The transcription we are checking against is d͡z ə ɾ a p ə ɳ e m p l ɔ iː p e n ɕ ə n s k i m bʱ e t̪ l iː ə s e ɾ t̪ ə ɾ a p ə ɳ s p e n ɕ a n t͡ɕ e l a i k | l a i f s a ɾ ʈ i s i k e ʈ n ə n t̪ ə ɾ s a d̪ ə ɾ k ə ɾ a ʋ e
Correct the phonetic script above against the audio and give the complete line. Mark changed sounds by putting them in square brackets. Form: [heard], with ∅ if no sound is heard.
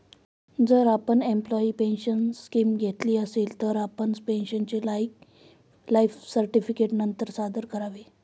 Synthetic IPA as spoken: d͡z ə ɾ a p ə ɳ e m p l ɔ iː p e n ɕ ə n s k i m [ɡʱ] e t̪ l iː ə s e [l] t̪ ə ɾ a p ə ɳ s p e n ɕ [ə] n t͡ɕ e l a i k | l a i f s [ə] ɾ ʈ i [f] i k e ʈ n ə n t̪ ə ɾ s a d̪ ə ɾ k ə ɾ a ʋ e